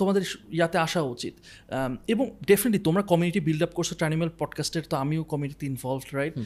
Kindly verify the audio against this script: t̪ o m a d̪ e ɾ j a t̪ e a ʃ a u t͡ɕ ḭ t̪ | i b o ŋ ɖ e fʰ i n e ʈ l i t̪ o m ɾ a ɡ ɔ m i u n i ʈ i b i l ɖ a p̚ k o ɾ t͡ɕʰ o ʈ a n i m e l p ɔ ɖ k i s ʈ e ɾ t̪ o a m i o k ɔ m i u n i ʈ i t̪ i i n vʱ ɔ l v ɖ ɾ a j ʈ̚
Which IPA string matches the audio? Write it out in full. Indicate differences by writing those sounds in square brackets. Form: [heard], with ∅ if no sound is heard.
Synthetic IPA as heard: t̪ o m a d̪ e ɾ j a t̪ e a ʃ a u t͡ɕ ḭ t̪ | [e] b o ŋ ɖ e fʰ i n e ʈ l i t̪ o m ɾ a [k] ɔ m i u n i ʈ i b i l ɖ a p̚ k o ɾ t͡ɕʰ o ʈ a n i m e l p ɔ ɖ k [a] s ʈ e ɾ t̪ o a m i o k ɔ m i u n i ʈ i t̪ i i n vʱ ɔ l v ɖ ɾ a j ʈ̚